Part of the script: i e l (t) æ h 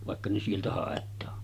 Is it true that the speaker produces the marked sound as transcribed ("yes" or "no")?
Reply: yes